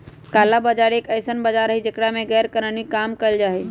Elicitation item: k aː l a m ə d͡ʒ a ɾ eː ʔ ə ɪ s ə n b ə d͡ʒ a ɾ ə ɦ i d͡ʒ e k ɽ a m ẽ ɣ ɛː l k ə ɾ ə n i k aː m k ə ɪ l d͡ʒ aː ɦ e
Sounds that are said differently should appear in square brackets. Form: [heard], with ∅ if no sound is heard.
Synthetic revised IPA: k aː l a [b] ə d͡ʒ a ɾ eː [k] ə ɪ s ə n b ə d͡ʒ a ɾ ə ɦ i d͡ʒ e k ɽ a m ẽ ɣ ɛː [ɾ] k ə ɾ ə n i k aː m k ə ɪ l d͡ʒ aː ɦ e